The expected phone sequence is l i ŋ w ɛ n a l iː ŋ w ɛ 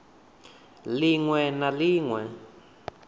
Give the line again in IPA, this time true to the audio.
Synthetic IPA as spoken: l i ŋ w ɛ n a l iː ŋ w ɛ